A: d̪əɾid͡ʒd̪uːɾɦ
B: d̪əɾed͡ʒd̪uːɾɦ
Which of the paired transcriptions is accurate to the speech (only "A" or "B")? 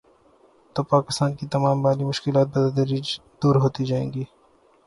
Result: A